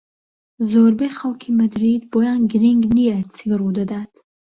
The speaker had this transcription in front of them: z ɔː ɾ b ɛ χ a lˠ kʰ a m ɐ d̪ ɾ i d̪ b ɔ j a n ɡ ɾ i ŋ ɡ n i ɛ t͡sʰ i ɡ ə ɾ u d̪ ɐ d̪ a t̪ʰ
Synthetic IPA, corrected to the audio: z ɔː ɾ b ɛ χ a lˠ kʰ i m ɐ d̪ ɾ i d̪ b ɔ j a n ɡ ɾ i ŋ ɡ n i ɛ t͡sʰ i ɡ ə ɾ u d̪ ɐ d̪ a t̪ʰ